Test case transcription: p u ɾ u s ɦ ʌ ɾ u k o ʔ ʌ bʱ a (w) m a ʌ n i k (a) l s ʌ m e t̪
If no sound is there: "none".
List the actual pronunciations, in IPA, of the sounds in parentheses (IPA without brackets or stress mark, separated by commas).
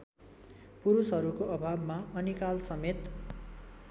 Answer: b, a